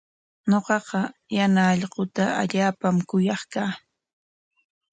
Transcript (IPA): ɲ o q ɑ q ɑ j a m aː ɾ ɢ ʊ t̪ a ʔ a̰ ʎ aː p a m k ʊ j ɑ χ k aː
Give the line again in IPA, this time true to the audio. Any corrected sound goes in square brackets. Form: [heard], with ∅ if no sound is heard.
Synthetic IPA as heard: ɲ o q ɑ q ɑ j a [n] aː [ʎ] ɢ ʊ t̪ a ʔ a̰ ʎ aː p a m k ʊ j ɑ χ k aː